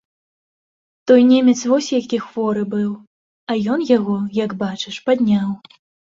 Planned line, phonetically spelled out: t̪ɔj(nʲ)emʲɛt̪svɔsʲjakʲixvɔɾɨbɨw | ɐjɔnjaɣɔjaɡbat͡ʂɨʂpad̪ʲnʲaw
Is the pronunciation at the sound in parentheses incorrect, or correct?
correct